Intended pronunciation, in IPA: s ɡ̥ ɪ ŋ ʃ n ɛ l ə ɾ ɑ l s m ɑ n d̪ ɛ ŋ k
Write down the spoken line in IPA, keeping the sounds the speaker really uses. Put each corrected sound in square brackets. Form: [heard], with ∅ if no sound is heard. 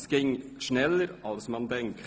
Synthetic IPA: s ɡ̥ ɪ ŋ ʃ n ɛ l ə ɾ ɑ l s m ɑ n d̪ ɛ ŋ k